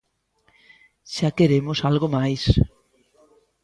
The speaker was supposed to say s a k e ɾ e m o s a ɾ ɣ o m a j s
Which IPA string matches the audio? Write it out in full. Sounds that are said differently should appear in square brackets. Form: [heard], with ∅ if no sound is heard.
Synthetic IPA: [ʃ] a k e ɾ e m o s a [l] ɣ o m a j s

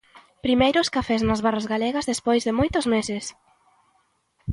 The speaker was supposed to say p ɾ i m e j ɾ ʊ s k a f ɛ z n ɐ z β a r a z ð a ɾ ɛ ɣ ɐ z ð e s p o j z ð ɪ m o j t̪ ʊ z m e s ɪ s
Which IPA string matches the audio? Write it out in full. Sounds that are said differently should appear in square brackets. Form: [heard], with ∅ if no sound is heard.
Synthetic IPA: p ɾ i m e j ɾ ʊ s k a f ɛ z n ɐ z β a r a z [ɣ] a [l] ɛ ɣ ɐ z ð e s p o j z ð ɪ m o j t̪ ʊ z m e s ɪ s

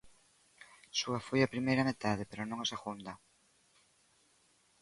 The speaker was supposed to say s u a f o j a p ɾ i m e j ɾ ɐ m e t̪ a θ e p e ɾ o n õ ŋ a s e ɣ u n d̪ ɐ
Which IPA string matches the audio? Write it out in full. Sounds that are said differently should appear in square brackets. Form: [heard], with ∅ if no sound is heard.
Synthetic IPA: s u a f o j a p ɾ i m e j ɾ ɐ m e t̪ a [ð] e p e ɾ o n õ ŋ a s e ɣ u n d̪ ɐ

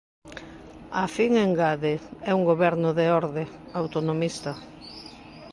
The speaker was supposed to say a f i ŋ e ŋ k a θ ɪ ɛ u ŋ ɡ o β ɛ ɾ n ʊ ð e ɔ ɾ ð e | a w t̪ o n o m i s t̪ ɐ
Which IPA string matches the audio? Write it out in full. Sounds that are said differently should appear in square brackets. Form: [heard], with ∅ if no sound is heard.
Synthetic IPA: a f i ŋ e ŋ [ɡ] a [ð] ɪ ɛ u ŋ ɡ o β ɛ ɾ n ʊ ð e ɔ ɾ ð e | a w t̪ o n o m i s t̪ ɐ

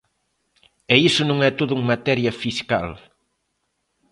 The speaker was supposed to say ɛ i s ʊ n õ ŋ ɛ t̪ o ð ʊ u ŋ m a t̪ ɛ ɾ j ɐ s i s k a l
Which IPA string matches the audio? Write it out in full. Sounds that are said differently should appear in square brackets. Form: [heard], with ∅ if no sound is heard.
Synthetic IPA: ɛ i s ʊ n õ ŋ ɛ t̪ o ð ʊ u ŋ m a t̪ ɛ ɾ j ɐ [f] i s k a l

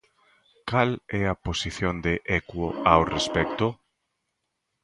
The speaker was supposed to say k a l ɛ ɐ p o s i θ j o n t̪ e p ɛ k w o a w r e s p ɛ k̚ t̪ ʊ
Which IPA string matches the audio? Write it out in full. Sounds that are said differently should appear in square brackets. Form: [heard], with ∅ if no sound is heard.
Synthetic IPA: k a l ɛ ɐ p o s i θ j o n [d̪] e [ʔ] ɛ k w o a w r e s p ɛ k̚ t̪ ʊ

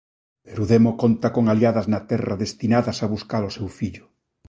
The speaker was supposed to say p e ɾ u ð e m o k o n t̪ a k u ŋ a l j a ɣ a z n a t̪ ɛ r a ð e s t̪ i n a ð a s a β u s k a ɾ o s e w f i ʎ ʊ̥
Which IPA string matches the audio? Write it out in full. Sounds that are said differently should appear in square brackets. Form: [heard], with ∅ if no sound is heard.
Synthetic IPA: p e ɾ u ð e m o k o n t̪ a k [o] ŋ a l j a [ð] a z n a t̪ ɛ r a ð e s t̪ i n a ð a s a β u s k a ɾ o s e w f i ʎ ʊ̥

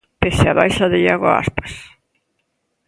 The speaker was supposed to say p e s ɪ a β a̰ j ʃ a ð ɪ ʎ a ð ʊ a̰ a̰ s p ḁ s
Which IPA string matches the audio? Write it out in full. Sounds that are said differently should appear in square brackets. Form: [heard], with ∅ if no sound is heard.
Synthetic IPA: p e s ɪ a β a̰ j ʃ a ð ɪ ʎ a [ɣ] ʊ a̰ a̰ s p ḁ s

